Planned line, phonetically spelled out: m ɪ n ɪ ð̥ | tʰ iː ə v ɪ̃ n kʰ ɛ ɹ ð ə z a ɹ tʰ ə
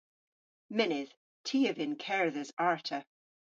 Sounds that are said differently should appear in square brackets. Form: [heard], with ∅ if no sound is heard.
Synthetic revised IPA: m ɪ n ɪ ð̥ | tʰ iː ə v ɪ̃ n kʰ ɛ ɹ ð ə z a ɹ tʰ ə